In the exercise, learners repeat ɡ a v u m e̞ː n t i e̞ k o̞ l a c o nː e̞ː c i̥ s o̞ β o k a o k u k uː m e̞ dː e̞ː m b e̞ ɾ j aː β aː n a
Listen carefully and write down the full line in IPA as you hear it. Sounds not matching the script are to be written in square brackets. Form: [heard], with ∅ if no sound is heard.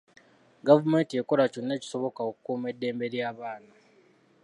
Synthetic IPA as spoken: ɡ a v u m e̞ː n t i e̞ k o̞ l a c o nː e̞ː c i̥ s o̞ β o k a o k u k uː m e̞ dː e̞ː m b e̞ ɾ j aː β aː n a